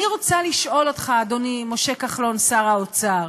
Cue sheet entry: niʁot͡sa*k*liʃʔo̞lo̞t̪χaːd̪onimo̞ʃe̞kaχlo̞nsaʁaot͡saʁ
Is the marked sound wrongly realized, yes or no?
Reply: yes